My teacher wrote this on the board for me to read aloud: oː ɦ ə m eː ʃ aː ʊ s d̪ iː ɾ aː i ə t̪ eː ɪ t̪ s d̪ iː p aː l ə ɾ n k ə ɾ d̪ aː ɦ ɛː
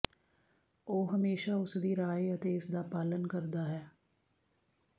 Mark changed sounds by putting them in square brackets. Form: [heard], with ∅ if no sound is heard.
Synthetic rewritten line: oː ɦ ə m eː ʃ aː ʊ s d̪ iː ɾ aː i ə t̪ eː ɪ [∅] s d̪ [aː] p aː l ə [∅] n k ə ɾ d̪ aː ɦ ɛː